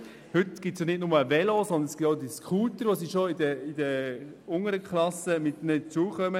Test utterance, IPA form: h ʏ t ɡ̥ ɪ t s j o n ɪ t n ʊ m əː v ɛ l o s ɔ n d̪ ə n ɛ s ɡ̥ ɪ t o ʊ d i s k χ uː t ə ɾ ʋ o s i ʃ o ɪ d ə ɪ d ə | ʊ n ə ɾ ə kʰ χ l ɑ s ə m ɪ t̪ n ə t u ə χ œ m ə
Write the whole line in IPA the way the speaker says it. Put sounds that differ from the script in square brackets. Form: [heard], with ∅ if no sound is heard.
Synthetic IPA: h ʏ t ɡ̥ ɪ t s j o n ɪ t n ʊ m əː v ɛ l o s ɔ n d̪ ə n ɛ s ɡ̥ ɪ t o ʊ d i s k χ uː t ə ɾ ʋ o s i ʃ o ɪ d ə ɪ d ə | ʊ [ŋ] ə ɾ ə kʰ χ l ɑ s ə m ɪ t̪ n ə [t͡s] u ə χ œ m ə